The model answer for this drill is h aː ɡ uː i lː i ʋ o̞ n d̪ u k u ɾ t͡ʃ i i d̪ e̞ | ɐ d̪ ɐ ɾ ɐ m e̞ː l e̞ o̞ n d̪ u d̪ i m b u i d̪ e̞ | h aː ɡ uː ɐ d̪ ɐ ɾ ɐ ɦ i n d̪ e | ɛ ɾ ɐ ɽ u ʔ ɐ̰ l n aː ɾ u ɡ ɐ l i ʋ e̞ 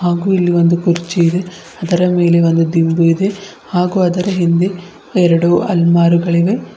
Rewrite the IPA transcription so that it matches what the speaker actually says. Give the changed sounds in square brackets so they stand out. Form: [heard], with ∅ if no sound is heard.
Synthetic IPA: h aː ɡ uː i lː i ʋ o̞ n d̪ u k u ɾ t͡ʃ i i d̪ e̞ | ɐ d̪ ɐ ɾ ɐ m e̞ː l e̞ o̞ n d̪ u d̪ i m b u i d̪ e̞ | h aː ɡ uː ɐ d̪ ɐ ɾ ɐ ɦ i n d̪ e | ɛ ɾ ɐ ɽ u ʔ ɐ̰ l [m] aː ɾ u ɡ ɐ [ɭ] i ʋ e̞